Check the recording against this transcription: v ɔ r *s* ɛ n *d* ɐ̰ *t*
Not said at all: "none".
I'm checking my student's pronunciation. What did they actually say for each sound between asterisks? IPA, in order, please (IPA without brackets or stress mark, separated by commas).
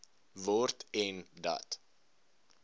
t, d, t